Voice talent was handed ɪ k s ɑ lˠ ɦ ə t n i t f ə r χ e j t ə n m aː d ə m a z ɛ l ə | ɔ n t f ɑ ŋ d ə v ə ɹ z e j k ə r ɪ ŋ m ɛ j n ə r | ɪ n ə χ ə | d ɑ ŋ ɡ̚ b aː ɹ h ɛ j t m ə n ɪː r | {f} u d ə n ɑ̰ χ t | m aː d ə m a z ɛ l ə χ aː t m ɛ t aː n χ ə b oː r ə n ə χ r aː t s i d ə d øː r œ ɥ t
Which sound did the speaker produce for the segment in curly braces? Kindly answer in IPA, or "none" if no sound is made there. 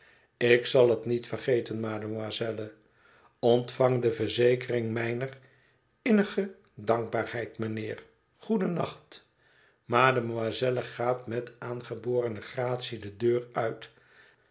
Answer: χ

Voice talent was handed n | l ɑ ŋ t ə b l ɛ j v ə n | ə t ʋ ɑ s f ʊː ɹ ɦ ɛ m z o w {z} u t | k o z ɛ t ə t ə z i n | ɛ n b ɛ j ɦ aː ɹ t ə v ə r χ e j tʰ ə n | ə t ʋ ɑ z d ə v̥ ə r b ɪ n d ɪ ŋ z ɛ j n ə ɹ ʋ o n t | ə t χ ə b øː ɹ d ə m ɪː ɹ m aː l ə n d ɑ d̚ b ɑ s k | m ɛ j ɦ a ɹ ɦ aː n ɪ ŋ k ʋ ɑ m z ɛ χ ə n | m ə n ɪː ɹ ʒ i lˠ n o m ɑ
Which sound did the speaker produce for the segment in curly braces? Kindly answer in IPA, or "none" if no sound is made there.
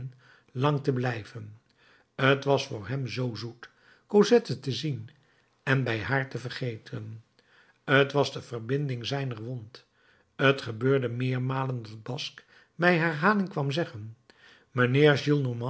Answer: z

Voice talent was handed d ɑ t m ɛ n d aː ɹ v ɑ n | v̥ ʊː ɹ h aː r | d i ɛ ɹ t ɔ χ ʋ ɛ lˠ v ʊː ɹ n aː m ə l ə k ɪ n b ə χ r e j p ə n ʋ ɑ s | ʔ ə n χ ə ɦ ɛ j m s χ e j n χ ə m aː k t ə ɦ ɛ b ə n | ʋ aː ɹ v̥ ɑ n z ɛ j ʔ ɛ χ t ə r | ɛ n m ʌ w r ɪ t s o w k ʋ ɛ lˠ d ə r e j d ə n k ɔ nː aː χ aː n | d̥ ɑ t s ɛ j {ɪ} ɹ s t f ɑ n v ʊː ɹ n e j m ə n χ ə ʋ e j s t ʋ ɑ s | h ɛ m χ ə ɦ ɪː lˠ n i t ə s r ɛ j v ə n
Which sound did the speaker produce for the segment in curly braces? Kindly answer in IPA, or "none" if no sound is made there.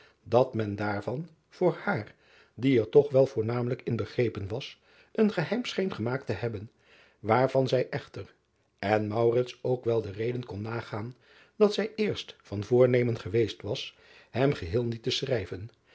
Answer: ɪː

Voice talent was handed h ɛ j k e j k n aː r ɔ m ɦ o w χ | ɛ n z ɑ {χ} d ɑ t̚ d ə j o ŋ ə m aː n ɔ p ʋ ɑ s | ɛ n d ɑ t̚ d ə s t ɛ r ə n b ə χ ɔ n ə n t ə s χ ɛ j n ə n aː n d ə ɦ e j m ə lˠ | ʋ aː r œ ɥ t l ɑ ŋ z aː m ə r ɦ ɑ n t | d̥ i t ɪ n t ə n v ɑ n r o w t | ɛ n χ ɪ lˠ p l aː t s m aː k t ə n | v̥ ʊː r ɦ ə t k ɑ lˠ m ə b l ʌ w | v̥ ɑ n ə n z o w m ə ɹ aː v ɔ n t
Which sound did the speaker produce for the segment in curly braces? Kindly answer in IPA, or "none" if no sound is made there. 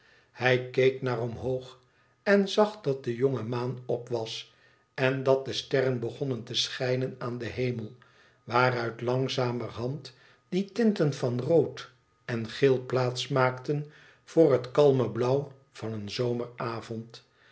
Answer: χ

